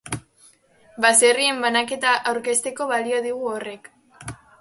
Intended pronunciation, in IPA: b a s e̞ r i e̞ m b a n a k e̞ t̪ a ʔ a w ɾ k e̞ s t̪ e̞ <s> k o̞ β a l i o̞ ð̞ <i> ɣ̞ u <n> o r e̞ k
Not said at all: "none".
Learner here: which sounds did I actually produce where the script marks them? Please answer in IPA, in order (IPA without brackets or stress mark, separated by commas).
none, i, none